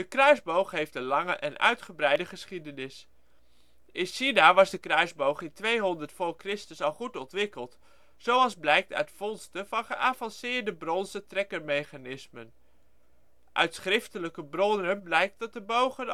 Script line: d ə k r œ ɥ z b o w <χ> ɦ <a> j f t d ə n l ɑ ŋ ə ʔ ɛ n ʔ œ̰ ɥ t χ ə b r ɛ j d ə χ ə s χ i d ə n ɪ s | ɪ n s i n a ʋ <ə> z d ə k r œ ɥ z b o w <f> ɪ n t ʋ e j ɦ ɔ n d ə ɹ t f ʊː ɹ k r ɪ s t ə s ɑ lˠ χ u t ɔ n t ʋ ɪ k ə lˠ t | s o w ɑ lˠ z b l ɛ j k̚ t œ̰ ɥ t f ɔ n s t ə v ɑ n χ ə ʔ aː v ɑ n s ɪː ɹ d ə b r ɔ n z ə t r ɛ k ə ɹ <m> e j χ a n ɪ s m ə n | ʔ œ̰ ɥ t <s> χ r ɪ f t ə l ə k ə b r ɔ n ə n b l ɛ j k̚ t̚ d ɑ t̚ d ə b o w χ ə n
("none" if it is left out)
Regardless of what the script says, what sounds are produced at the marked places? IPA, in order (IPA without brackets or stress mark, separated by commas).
χ, e, ɑ, χ, m, s